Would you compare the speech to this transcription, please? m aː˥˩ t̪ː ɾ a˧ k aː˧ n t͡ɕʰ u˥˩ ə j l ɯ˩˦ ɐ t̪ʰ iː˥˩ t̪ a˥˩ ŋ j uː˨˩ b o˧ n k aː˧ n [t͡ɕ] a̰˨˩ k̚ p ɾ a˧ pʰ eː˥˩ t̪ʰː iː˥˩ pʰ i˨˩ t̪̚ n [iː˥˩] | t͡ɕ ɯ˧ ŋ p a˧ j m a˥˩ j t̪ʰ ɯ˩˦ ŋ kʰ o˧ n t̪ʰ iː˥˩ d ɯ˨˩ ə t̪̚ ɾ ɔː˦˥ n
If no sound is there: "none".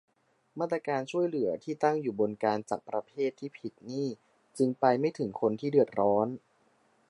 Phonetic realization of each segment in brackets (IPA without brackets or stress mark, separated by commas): t͡ɕ, iː˥˩